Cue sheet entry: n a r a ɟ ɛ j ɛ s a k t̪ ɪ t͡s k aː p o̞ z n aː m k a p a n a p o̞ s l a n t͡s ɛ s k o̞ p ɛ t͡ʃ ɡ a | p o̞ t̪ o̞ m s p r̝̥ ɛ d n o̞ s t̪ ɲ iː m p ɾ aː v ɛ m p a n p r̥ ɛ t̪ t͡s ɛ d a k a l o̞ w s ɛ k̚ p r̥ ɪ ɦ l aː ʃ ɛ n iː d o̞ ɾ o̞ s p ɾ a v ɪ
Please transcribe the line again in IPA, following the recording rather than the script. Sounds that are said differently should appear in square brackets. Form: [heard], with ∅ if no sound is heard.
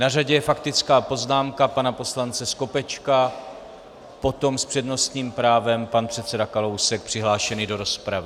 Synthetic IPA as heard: n a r a ɟ ɛ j ɛ [f] a k t̪ ɪ t͡s k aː p o̞ z n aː m k a p a n a p o̞ s l a n t͡s ɛ s k o̞ p ɛ t͡ʃ [k] a | p o̞ t̪ o̞ m s p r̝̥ ɛ d n o̞ s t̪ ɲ iː m p ɾ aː v ɛ m p a n p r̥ ɛ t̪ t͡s ɛ d a k a l o̞ w s ɛ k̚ p r̥ ɪ ɦ l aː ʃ ɛ n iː d o̞ ɾ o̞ s p ɾ a v ɪ